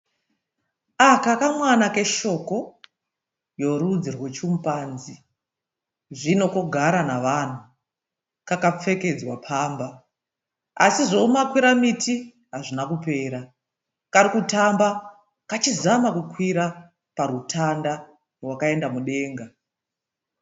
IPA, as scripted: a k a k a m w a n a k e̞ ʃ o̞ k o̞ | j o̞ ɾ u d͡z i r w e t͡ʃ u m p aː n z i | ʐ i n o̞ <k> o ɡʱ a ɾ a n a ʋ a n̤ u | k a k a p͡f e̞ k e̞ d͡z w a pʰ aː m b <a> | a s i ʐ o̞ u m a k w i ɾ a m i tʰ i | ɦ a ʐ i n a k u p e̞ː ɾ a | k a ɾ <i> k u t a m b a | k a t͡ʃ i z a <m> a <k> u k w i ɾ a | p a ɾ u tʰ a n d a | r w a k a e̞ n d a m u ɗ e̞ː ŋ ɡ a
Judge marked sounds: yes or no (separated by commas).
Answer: yes, yes, yes, yes, yes